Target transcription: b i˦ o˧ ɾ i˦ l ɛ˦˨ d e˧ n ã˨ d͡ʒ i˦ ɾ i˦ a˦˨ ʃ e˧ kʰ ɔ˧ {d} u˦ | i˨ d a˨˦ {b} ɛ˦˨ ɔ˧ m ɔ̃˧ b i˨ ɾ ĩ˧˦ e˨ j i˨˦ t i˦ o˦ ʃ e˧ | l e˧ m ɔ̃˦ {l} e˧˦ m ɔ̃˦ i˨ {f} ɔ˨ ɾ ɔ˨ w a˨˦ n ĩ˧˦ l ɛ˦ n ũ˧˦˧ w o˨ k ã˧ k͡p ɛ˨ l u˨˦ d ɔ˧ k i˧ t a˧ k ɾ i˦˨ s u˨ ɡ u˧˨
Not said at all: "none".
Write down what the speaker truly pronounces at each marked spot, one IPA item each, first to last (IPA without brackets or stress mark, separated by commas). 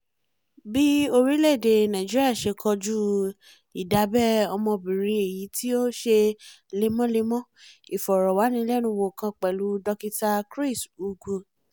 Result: d͡ʒ, b, l, f